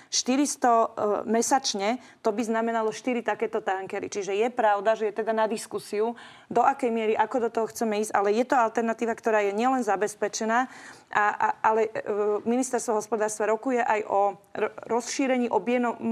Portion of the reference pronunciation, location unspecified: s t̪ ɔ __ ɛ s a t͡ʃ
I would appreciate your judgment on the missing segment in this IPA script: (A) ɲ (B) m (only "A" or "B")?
B